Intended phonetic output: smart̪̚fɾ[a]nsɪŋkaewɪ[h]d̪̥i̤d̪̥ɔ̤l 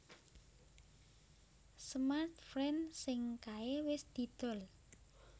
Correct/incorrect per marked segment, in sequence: incorrect: ɛ, incorrect: s

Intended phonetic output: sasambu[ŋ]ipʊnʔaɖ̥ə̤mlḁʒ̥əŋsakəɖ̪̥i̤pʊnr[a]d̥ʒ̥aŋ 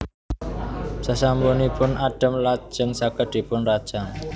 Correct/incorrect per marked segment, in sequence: incorrect: n, correct

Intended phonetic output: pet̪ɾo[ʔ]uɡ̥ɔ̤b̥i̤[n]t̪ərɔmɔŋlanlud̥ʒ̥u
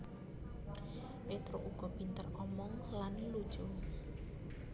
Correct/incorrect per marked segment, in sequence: correct, correct

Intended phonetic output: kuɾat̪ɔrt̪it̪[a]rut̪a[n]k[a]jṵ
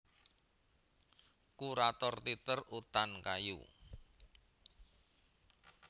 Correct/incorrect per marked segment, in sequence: incorrect: ə, correct, correct

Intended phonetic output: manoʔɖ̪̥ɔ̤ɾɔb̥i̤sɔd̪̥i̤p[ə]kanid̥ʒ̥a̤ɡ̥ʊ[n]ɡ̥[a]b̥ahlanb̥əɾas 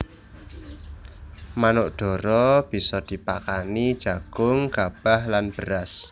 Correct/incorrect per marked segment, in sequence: incorrect: a, incorrect: ŋ, correct

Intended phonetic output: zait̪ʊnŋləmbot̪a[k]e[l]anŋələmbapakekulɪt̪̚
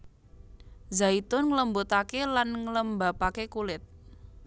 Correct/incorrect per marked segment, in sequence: correct, correct

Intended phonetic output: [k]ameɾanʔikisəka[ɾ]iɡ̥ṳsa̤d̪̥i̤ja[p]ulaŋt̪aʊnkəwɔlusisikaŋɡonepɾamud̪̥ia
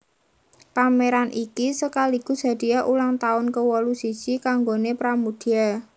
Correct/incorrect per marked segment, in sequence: incorrect: p, incorrect: l, incorrect: ʔ

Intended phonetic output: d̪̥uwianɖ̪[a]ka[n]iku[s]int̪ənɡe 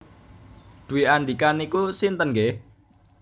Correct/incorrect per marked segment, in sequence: incorrect: i, correct, correct

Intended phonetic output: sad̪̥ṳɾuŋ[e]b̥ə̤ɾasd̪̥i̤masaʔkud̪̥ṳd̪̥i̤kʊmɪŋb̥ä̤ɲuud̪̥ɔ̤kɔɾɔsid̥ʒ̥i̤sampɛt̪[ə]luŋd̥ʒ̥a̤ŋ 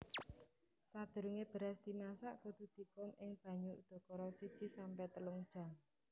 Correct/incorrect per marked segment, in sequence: correct, correct

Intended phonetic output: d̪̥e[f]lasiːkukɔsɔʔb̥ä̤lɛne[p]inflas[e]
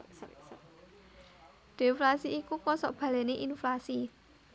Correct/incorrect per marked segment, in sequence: correct, incorrect: ʔ, incorrect: i

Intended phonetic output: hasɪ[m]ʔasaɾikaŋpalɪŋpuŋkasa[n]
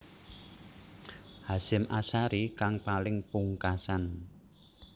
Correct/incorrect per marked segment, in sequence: correct, correct

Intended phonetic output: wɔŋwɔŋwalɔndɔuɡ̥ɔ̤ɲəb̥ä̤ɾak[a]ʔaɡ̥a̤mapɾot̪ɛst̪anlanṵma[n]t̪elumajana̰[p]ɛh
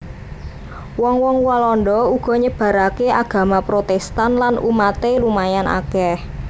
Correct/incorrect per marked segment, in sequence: incorrect: e, incorrect: none, incorrect: k

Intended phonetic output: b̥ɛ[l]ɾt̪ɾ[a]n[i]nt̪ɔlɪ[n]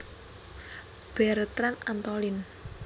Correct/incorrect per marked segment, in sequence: incorrect: none, correct, incorrect: a, correct

